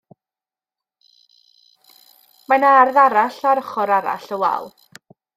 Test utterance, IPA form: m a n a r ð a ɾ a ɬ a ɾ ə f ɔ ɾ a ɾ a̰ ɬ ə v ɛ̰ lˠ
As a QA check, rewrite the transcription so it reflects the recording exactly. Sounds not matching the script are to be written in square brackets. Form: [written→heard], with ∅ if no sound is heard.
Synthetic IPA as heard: m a n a r ð a ɾ a ɬ a ɾ ə [f→χ] ɔ ɾ a ɾ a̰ ɬ ə [v→w] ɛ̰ lˠ